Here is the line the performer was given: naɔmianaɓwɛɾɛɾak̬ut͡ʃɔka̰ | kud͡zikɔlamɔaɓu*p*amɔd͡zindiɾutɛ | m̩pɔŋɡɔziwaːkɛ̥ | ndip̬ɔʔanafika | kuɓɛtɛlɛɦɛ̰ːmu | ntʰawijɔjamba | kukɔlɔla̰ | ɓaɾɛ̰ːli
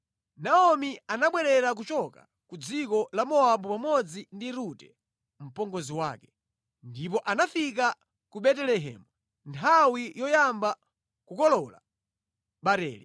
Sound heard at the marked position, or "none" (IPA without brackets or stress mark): p